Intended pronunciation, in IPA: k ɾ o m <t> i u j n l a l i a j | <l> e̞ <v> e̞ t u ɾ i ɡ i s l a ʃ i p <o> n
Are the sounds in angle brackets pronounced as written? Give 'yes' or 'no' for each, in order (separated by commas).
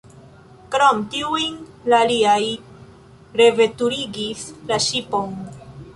yes, no, yes, yes